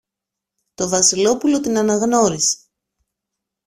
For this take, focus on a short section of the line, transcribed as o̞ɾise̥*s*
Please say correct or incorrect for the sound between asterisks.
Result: incorrect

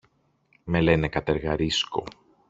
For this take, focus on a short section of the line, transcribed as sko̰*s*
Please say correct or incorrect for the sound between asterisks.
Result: incorrect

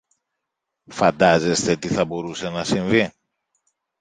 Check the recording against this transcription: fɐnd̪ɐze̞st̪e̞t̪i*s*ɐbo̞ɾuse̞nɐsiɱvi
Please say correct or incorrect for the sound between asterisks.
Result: incorrect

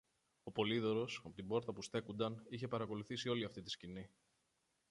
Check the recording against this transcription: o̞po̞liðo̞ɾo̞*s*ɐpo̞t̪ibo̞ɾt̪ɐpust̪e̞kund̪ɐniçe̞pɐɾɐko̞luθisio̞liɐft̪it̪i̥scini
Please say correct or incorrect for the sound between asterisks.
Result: correct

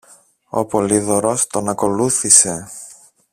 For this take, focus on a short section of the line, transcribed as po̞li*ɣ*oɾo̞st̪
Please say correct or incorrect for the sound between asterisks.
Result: incorrect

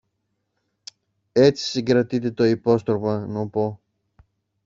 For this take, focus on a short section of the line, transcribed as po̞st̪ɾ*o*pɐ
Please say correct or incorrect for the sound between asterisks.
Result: correct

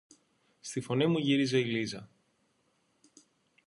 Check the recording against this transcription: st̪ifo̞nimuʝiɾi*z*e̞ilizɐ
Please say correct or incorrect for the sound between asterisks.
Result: correct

